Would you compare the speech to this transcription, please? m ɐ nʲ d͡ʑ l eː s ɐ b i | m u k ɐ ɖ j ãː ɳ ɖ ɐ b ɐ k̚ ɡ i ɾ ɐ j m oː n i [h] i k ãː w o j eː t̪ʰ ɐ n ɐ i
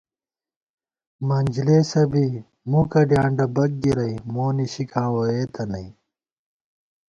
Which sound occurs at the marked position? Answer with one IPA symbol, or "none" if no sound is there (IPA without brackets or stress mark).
ɕ